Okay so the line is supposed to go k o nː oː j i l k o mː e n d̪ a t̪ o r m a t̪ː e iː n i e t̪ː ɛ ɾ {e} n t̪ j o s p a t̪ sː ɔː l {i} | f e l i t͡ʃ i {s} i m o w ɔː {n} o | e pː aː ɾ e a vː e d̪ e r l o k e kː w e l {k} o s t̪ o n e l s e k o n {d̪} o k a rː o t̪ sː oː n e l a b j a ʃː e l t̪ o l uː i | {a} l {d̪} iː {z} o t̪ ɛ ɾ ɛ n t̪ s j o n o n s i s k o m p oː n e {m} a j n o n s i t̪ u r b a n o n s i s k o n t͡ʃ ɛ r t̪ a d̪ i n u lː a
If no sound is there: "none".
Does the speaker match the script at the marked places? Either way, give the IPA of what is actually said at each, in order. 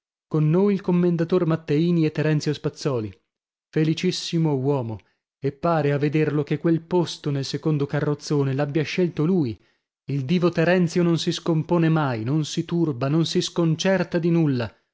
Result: ɛ, i, sː, m, p, d̪, i, d̪, v, m

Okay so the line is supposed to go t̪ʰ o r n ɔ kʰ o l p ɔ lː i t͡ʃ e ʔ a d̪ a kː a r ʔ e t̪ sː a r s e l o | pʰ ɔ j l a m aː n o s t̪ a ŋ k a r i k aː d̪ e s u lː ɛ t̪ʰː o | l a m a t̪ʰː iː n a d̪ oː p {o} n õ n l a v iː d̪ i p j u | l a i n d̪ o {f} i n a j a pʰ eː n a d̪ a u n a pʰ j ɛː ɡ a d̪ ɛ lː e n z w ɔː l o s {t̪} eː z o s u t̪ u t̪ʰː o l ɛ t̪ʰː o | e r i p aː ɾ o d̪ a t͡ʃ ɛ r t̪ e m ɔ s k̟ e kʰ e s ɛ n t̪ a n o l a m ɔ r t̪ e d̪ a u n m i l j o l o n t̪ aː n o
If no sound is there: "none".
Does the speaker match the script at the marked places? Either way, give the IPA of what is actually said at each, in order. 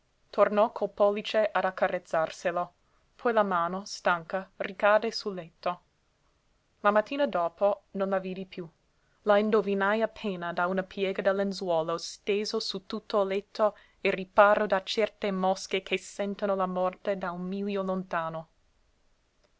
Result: o, v, t̪

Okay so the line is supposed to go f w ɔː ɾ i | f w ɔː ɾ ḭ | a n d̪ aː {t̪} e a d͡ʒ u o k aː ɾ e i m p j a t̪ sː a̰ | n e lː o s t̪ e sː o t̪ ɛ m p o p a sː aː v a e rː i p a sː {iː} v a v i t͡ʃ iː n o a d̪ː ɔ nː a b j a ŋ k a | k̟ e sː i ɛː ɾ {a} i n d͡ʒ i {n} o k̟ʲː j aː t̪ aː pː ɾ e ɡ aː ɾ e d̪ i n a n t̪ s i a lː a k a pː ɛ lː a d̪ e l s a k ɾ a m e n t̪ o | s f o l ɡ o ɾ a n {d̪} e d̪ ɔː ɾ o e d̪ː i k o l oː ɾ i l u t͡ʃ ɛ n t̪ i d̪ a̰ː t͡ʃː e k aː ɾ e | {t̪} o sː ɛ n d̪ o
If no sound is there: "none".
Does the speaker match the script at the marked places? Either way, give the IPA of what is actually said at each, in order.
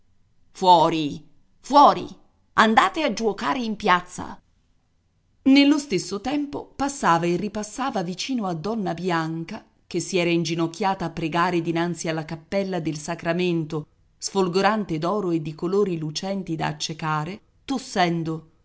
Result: t̪, aː, a, n, t̪, t̪

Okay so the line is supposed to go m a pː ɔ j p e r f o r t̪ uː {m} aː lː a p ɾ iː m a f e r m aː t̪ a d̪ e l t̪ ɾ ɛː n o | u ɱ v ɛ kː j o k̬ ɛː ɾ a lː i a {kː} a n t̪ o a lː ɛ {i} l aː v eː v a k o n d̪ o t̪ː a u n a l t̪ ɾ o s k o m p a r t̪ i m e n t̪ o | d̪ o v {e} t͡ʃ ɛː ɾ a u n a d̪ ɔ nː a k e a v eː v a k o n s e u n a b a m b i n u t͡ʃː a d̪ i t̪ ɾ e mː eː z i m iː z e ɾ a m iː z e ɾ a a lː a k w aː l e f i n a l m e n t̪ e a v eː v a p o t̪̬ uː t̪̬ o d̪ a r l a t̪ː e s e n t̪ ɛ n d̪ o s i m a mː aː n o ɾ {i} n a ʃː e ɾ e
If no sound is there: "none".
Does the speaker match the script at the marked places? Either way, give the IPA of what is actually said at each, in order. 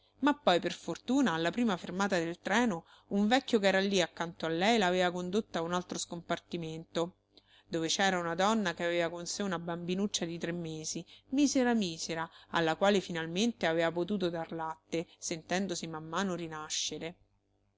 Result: n, kː, j, e, i

